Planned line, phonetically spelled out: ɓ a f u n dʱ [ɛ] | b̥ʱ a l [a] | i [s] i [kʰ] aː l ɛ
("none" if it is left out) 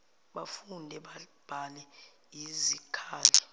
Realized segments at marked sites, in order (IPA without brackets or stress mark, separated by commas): ɛ, ɛ, z, kʰ